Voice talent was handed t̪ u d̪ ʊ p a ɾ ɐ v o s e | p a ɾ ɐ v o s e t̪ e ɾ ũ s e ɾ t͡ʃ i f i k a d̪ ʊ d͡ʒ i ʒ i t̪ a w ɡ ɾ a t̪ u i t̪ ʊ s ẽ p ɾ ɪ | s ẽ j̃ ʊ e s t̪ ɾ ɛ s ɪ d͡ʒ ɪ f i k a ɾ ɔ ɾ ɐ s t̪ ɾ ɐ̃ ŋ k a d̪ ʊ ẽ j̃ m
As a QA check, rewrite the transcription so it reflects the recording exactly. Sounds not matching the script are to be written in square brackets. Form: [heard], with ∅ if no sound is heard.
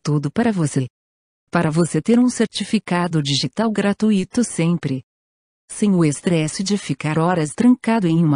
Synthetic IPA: t̪ u d̪ ʊ p a ɾ ɐ v o s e | p a ɾ ɐ v o s e t̪ e ɾ ũ s e ɾ t͡ʃ i f i k a d̪ ʊ d͡ʒ i ʒ i t̪ a w ɡ ɾ a t̪ u i t̪ ʊ s ẽ p ɾ ɪ | s ẽ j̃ ʊ e s t̪ ɾ ɛ s ɪ d͡ʒ ɪ f i k a ɾ ɔ ɾ ɐ s t̪ ɾ ɐ̃ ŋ k a d̪ ʊ ẽ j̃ m